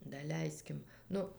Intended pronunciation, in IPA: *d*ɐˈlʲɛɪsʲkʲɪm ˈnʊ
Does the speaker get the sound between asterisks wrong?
no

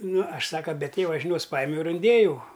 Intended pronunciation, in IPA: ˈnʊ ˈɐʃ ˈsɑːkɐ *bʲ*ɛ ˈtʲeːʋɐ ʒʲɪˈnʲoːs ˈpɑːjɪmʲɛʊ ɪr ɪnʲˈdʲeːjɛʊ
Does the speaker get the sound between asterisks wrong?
no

